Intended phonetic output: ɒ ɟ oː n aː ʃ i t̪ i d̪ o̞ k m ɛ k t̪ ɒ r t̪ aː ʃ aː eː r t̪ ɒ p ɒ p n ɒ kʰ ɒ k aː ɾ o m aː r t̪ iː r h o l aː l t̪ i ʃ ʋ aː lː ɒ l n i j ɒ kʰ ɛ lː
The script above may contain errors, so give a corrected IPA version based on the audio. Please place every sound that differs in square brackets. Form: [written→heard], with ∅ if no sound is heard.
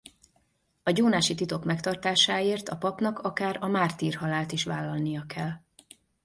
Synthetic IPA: ɒ ɟ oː n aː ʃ i t̪ i [d̪→t̪] o̞ k m ɛ k t̪ ɒ r t̪ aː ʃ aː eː r t̪ ɒ p ɒ p n ɒ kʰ ɒ k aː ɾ [o→ɒ] m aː r t̪ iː r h [o→ɒ] l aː l t̪ i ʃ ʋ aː lː ɒ l n i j ɒ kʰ ɛ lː